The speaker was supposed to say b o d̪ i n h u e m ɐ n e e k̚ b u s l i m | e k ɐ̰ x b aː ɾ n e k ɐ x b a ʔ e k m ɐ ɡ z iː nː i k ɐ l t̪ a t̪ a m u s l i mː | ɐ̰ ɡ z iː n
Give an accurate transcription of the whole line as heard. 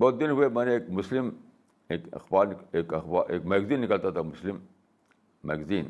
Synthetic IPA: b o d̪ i n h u e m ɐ n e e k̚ m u s l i m | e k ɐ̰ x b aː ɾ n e k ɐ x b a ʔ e k m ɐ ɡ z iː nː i k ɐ l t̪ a t̪ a m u s l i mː | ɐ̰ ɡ z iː n